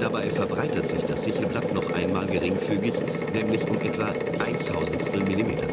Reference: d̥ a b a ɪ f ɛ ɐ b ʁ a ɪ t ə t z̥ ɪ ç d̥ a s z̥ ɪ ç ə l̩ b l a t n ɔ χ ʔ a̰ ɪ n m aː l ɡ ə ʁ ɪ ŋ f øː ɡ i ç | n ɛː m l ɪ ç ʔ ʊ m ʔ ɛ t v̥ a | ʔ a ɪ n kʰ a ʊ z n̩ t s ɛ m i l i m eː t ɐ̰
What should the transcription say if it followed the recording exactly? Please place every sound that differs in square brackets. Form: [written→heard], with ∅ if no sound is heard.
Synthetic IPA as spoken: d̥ a b a ɪ f ɛ ɐ b ʁ a ɪ t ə t z̥ ɪ ç d̥ a s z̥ ɪ ç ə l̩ b l a t n ɔ χ ʔ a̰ ɪ n m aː l ɡ ə ʁ ɪ ŋ f [øː→yː] ɡ [i→ɪ] ç | n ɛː m l ɪ ç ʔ ʊ m ʔ ɛ t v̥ a | ʔ a ɪ n [kʰ→tʰ] a ʊ z n̩ t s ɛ m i l i m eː t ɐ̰

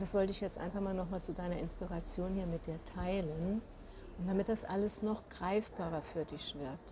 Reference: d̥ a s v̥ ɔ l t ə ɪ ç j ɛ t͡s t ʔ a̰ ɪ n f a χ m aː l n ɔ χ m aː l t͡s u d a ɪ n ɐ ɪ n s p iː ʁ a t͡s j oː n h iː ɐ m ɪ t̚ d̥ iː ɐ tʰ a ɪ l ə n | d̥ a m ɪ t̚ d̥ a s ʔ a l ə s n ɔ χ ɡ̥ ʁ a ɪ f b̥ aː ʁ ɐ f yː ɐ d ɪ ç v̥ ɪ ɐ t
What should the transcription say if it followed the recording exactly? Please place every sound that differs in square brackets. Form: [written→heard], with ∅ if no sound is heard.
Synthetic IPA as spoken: d̥ a s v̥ ɔ l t ə ɪ ç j ɛ t͡s t ʔ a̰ ɪ n f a χ m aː l n ɔ χ m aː l t͡s u d a ɪ n ɐ ɪ n s p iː ʁ a t͡s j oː n h iː ɐ m ɪ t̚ d̥ iː ɐ tʰ a ɪ l ə n | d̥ a m ɪ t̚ d̥ a s ʔ a l ə s n ɔ χ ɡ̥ ʁ a ɪ f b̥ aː ʁ ɐ f yː ɐ d ɪ ç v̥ ɪ ɐ t

